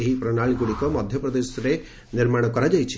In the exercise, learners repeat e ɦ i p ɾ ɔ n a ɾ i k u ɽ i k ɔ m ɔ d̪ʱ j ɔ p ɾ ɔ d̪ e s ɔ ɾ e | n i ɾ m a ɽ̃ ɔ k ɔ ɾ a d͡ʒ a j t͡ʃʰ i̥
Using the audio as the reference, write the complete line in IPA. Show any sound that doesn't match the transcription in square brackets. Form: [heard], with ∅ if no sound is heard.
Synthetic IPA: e ɦ i p ɾ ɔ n a [ɭ] i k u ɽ i k ɔ m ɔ d̪ʱ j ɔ p ɾ ɔ d̪ e s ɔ ɾ e | n i ɾ m a ɽ̃ ɔ k ɔ ɾ a d͡ʒ a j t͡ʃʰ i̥